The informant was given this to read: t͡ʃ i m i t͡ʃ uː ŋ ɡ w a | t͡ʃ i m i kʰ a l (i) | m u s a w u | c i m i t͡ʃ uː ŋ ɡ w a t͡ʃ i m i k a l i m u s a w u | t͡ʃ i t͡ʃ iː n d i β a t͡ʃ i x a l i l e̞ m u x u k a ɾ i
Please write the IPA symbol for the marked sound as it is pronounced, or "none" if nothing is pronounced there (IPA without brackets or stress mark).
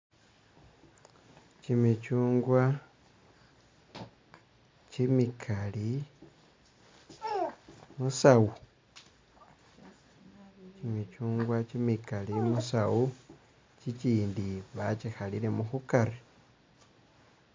i